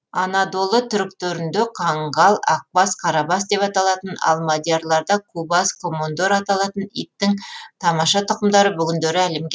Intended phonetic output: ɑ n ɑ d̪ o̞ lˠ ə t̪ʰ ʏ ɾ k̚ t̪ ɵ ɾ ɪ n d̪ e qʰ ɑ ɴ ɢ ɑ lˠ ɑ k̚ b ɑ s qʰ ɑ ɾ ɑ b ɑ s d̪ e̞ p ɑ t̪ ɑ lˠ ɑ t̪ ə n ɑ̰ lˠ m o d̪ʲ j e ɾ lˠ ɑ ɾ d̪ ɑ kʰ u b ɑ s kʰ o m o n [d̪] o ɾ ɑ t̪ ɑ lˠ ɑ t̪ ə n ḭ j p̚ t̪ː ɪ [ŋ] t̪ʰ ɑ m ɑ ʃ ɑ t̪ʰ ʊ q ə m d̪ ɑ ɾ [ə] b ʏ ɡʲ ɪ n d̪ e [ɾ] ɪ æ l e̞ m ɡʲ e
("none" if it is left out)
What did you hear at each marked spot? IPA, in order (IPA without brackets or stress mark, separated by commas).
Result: d̪, ŋ, ə, ɾ